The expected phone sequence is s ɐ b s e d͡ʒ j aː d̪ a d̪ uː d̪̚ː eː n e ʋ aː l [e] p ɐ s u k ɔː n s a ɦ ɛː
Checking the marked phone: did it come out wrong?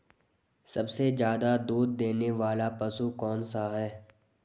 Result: yes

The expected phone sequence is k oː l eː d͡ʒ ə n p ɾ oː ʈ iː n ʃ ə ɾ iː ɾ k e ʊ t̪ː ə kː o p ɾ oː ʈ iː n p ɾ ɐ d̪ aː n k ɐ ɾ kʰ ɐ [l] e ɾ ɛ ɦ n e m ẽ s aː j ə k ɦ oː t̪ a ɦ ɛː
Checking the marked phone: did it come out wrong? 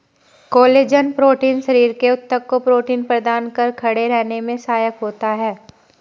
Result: yes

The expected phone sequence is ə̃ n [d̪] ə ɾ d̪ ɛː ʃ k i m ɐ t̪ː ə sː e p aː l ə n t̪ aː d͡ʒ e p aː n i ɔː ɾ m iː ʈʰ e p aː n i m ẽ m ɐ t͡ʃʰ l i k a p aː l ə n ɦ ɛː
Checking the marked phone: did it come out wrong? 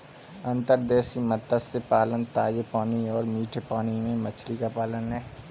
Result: yes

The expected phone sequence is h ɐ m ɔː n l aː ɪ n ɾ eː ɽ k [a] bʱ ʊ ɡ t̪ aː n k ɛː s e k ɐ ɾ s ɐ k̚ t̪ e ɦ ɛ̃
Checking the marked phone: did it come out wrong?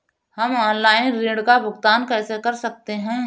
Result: no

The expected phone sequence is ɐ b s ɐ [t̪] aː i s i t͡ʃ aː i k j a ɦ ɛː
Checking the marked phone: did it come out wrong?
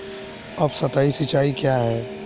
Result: no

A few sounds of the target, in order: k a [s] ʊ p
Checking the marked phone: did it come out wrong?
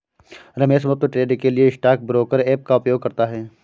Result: yes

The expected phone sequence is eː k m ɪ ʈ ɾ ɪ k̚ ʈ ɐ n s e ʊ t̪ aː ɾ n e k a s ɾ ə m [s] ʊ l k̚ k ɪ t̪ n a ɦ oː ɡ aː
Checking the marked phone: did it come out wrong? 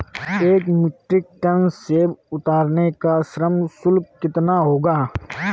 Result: no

